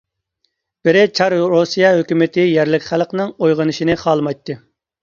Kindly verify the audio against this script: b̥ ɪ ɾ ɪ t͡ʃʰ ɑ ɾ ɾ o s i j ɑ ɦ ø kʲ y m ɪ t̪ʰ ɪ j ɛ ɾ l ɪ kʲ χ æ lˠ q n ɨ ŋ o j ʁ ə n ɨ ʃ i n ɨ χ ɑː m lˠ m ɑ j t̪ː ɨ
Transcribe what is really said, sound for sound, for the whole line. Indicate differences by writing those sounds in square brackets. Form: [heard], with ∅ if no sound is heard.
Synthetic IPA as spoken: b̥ ɪ ɾ ɪ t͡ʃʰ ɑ ɾ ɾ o s i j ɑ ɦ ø kʲ y m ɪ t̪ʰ ɪ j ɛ ɾ l ɪ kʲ χ æ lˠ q n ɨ ŋ o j ʁ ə n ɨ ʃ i n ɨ χ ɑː [∅] lˠ m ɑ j t̪ː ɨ

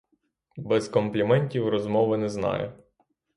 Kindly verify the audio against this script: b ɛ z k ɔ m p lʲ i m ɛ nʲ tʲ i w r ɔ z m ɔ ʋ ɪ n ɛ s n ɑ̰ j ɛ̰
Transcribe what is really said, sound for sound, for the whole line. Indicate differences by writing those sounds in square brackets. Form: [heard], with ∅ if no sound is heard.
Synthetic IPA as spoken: b ɛ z k ɔ m p lʲ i m ɛ nʲ tʲ i w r ɔ z m ɔ ʋ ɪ n ɛ [z] n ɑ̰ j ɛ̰

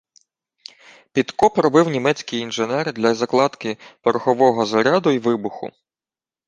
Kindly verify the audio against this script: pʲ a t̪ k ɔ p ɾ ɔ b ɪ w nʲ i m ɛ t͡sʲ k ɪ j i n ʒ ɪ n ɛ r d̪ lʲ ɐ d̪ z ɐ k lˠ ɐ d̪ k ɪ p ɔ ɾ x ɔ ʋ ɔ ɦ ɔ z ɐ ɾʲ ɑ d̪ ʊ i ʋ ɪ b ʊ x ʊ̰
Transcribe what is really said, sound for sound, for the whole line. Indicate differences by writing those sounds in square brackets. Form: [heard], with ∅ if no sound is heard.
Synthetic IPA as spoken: pʲ [i] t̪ k ɔ p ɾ ɔ b ɪ w nʲ i m ɛ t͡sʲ k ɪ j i n ʒ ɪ n ɛ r d̪ lʲ ɐ [∅] z ɐ k lˠ [ɑ] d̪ k ɪ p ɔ ɾ x ɔ ʋ ɔ ɦ ɔ z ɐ ɾʲ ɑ d̪ ʊ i ʋ ɪ b ʊ x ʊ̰

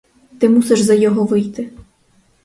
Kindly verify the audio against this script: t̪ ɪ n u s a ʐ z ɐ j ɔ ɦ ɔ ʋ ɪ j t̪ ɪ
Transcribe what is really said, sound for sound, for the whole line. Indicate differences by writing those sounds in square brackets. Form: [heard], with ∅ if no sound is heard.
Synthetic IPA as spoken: t̪ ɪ [m] u s [ɛ] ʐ z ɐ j ɔ ɦ ɔ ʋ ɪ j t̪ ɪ

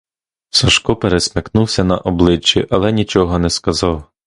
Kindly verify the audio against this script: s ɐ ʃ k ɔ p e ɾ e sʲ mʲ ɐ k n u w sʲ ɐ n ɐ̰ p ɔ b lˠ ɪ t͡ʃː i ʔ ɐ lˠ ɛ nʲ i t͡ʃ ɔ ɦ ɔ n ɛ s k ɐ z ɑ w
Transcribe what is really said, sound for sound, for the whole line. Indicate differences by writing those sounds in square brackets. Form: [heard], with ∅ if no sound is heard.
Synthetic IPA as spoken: s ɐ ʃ k ɔ p e ɾ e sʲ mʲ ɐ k n u w sʲ ɐ n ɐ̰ [ʔ] ɔ b lˠ ɪ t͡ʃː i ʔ ɐ lˠ ɛ nʲ i t͡ʃ ɔ ɦ ɔ n ɛ s k ɐ z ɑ w

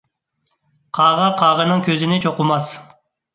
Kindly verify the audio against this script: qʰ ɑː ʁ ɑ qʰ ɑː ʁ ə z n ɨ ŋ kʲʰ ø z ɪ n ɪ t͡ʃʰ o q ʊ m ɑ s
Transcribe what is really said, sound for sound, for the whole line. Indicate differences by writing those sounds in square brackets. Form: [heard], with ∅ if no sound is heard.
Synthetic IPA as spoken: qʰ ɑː ʁ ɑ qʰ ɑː ʁ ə [∅] n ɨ ŋ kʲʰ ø z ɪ n ɪ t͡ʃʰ o q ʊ m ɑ s

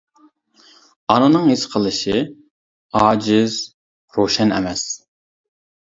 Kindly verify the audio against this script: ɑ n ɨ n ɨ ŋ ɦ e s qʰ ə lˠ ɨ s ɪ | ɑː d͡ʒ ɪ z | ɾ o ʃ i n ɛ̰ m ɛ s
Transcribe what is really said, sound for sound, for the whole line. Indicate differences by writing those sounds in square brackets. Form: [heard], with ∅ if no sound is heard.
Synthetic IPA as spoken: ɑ n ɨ n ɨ ŋ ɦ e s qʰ ə lˠ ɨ [ʃ] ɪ | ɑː d͡ʒ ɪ z | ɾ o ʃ [ɛ] n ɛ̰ m ɛ s

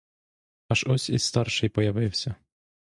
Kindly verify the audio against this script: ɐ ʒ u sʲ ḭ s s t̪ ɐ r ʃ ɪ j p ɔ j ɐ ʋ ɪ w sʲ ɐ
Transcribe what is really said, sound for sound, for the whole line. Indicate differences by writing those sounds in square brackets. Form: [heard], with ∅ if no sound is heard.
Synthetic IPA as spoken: ɐ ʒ [ɔ] sʲ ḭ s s t̪ [ɑ] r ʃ ɪ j p ɔ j ɐ ʋ ɪ w sʲ ɐ

